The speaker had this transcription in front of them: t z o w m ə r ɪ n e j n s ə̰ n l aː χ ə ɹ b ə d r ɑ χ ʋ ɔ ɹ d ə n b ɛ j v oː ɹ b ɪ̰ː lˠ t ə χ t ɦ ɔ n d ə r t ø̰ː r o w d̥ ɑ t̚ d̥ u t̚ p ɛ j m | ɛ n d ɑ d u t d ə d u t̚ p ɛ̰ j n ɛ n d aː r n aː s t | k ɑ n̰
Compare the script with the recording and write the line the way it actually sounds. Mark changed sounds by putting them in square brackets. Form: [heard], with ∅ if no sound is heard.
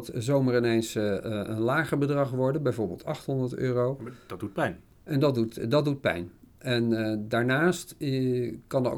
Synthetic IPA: t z o w m ə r ɪ n e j n s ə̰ n l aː χ ə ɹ b ə d r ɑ χ ʋ ɔ ɹ d ə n b ɛ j v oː ɹ b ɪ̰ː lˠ t [ɑ] χ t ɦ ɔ n d ə [ɹ] t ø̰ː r o w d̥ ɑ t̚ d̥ u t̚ p ɛ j [n] | ɛ n d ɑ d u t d [ɑ] d u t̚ p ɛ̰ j n ɛ n d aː [ɹ] n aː s t | k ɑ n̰